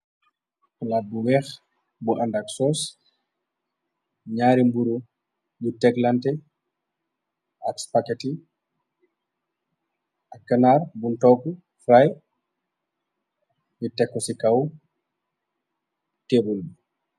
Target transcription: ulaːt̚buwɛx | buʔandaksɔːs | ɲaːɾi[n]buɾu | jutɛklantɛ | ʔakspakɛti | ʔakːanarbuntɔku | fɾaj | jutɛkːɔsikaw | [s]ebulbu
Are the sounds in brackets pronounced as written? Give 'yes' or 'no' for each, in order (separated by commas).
no, no